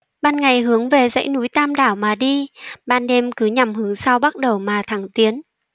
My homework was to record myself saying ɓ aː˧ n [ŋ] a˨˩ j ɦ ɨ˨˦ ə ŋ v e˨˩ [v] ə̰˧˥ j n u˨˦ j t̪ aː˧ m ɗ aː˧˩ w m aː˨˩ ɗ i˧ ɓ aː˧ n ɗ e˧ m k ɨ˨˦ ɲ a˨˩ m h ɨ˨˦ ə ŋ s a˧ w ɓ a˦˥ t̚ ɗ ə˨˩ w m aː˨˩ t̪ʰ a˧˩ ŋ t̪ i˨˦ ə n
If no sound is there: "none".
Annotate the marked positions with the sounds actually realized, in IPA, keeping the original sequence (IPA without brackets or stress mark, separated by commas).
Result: ŋ, z